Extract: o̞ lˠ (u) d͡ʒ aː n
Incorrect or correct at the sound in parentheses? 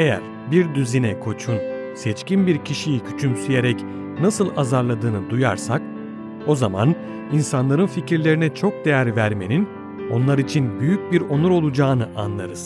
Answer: correct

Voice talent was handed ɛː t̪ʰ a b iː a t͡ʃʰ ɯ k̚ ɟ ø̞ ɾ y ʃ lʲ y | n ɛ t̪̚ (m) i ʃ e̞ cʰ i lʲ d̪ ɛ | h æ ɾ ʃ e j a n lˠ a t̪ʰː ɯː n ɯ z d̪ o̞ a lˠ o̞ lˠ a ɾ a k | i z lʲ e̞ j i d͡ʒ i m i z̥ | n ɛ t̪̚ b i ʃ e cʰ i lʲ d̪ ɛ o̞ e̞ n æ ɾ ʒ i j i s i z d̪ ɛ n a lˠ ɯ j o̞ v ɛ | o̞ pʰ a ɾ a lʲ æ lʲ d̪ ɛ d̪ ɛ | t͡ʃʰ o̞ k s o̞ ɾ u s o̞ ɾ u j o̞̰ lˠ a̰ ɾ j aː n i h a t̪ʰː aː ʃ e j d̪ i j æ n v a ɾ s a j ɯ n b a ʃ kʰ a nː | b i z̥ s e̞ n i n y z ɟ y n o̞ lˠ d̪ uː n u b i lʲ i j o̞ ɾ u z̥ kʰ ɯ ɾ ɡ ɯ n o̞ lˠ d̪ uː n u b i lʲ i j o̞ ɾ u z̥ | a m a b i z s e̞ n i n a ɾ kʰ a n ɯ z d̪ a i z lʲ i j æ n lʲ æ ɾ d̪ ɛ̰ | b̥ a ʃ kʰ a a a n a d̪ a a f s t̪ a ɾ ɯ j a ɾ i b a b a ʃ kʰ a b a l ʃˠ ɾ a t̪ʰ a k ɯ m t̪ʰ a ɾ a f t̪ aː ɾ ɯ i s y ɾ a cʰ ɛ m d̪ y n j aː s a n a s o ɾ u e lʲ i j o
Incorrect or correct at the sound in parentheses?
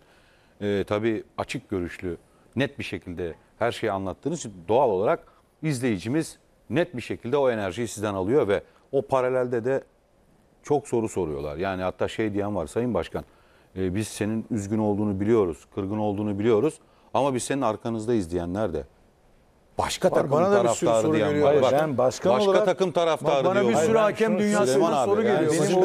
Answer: incorrect: b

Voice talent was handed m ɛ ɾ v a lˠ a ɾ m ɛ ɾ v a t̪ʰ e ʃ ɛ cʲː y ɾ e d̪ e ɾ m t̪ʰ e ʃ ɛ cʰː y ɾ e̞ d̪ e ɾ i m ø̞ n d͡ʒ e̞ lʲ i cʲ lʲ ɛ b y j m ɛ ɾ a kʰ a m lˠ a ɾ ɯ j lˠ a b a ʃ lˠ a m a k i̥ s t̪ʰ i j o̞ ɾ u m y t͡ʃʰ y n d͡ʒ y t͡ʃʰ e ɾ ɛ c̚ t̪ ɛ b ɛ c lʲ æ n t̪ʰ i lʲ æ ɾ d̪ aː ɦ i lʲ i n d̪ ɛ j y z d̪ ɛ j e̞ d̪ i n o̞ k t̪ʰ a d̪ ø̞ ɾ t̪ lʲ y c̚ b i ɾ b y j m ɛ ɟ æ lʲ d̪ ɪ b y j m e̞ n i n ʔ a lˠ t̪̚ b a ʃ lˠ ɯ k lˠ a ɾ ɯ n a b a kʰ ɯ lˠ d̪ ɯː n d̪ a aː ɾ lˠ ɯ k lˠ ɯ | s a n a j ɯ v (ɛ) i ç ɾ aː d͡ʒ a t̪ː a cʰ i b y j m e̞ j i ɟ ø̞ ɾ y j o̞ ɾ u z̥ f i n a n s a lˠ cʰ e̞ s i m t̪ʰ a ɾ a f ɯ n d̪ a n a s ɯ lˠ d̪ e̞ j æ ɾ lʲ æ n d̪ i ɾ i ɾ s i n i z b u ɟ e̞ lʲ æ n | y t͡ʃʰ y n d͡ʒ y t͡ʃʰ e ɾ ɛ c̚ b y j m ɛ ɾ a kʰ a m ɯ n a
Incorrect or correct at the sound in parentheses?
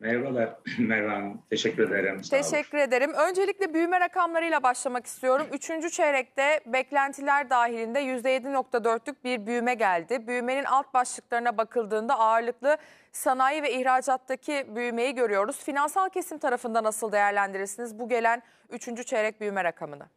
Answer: correct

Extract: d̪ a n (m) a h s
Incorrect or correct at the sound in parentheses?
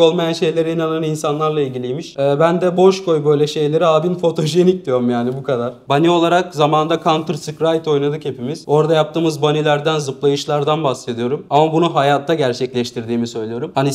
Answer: incorrect: b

